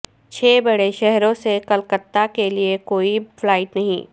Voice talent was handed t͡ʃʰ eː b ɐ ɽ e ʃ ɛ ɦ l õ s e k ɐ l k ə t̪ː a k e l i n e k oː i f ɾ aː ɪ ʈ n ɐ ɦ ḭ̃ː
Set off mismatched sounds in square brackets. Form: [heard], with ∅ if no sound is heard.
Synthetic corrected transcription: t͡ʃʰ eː b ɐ ɽ e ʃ ɛ ɦ [ɾ] õ s e k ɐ l k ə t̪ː a k e l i [∅] e k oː i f [l] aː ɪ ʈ n ɐ ɦ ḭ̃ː